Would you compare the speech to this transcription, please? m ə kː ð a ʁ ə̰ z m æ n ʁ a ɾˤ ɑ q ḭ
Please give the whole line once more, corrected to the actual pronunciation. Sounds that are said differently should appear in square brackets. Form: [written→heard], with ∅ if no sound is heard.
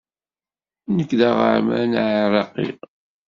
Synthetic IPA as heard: [m→n] ə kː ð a ʁ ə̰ [z→ʕ] m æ n [ʁ→ʕ] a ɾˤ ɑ q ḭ